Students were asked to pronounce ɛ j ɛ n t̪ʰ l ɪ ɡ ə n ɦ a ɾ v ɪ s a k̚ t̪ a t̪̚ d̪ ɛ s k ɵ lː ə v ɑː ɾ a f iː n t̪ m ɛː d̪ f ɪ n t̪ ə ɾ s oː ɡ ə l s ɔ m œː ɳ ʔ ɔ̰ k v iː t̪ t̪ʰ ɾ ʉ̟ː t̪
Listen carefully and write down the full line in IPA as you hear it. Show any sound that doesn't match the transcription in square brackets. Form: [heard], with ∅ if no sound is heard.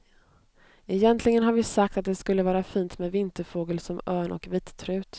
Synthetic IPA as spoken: ɛ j ɛ n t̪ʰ l ɪ ɡ ə n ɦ a ɾ v ɪ s a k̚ t̪ a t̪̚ d̪ ɛ s k ɵ lː ə v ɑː ɾ a f iː n t̪ m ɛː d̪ [v] ɪ n t̪ ə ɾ [f] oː ɡ ə l s ɔ m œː ɳ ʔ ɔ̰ k v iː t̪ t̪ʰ ɾ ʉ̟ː t̪